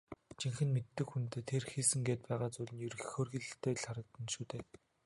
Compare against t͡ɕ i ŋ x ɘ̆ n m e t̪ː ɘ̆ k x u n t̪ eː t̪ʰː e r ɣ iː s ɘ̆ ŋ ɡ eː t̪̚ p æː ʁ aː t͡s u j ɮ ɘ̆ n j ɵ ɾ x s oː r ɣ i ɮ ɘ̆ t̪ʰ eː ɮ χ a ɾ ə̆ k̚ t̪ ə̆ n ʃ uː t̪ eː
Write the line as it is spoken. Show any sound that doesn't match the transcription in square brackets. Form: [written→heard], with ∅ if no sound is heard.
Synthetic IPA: t͡ɕ i ŋ x ɘ̆ n m e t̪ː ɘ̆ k x u n t̪ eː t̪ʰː e r [ɣ→x] iː s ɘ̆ ŋ ɡ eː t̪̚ p æː ʁ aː t͡s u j ɮ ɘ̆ n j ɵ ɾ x [s→x] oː r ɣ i ɮ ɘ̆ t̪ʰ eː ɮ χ a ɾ ə̆ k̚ t̪ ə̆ n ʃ uː t̪ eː